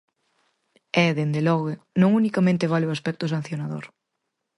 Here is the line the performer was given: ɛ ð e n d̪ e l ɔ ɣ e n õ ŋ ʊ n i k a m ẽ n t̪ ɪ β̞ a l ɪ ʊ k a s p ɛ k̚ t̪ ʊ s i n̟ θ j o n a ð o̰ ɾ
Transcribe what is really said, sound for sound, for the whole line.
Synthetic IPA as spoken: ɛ ð e n d̪ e l ɔ ɣ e n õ ŋ u n i k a m ẽ n t̪ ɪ β̞ a l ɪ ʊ a s p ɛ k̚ t̪ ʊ s a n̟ θ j o n a ð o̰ ɾ